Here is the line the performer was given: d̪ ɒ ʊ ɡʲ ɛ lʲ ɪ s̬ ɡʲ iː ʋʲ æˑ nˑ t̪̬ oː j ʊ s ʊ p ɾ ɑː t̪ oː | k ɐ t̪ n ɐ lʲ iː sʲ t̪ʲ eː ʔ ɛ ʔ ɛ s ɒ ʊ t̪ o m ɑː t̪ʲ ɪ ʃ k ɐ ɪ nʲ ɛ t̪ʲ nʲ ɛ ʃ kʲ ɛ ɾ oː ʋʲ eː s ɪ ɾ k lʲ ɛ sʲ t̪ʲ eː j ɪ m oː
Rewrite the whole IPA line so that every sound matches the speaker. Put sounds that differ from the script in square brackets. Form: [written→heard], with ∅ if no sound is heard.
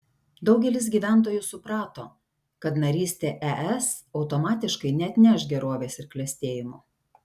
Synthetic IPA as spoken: d̪ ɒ ʊ ɡʲ ɛ lʲ ɪ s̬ ɡʲ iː ʋʲ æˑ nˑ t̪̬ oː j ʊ s ʊ p ɾ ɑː t̪ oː | k ɐ t̪ n ɐ [lʲ→ɾʲ] iː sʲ t̪ʲ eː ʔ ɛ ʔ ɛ s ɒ ʊ t̪ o m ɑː t̪ʲ ɪ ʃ k ɐ ɪ nʲ ɛ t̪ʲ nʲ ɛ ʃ [kʲ→ɡʲ] ɛ ɾ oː ʋʲ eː s ɪ ɾ k lʲ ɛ sʲ t̪ʲ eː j ɪ m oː